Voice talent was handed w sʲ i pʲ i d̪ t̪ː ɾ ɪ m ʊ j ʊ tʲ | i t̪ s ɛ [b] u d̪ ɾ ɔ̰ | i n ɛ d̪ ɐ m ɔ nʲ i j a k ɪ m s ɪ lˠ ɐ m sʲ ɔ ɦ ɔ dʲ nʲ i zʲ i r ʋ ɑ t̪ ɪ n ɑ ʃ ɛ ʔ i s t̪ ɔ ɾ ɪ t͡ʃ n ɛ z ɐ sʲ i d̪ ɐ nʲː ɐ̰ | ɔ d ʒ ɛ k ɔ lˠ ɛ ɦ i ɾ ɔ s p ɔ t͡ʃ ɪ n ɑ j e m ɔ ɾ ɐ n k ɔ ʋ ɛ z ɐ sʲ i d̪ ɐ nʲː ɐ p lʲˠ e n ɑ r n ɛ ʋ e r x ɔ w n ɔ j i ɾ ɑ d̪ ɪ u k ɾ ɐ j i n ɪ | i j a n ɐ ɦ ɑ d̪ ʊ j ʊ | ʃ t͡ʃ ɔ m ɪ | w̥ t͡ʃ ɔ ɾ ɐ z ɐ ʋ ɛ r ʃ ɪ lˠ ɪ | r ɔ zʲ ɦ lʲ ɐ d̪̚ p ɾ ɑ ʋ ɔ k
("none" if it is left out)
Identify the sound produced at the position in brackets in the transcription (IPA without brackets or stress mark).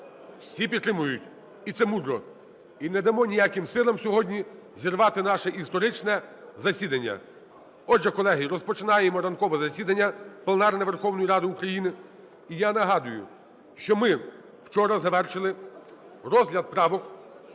m